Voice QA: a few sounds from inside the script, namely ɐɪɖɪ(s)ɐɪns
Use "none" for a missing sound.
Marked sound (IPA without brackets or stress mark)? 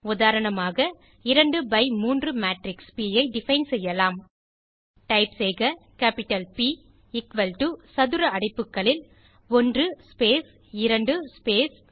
f